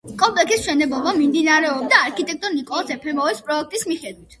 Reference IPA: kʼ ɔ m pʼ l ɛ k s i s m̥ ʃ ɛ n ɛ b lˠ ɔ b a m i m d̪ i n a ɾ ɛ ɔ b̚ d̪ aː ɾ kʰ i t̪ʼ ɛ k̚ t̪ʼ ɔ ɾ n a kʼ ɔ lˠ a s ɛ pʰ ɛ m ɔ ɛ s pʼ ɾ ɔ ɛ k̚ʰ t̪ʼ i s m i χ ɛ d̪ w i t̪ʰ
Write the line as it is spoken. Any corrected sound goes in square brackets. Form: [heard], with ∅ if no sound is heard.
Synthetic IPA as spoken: kʼ ɔ m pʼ l ɛ k s i s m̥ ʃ ɛ n ɛ b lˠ ɔ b a m i m d̪ i n a ɾ ɛ ɔ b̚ d̪ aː ɾ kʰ i t̪ʼ ɛ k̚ t̪ʼ ɔ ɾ n [i] kʼ ɔ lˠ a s ɛ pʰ ɛ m ɔ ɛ s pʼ ɾ ɔ ɛ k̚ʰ t̪ʼ i s m i χ ɛ d̪ w i t̪ʰ